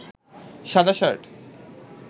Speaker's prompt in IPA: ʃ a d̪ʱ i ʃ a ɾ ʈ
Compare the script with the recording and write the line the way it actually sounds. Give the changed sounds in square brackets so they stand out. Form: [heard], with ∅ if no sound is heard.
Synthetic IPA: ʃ a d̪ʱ [a] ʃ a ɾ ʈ